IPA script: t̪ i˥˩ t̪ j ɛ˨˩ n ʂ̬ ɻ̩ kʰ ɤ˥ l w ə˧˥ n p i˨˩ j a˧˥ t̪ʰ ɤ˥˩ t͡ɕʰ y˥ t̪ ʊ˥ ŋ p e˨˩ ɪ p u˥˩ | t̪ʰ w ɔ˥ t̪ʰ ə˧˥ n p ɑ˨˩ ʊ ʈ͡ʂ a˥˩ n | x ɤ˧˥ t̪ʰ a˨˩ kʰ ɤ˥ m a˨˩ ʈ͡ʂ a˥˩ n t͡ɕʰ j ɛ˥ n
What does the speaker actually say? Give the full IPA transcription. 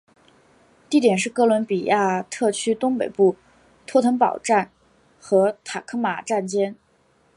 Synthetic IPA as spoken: t̪ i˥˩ t̪ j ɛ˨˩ n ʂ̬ ɻ̩ k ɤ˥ l w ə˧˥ n p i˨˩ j a˥˩ t̪ʰ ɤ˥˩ t͡ɕʰ y˥ t̪ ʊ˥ ŋ p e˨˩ ɪ p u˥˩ | t̪ʰ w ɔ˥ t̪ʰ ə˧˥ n p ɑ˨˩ ʊ ʈ͡ʂ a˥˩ n | x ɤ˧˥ t̪ʰ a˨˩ kʰ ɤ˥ m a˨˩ ʈ͡ʂ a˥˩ n t͡ɕ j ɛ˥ n